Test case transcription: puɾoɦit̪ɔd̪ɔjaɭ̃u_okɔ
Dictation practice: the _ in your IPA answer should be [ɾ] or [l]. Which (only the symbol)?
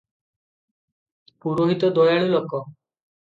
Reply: l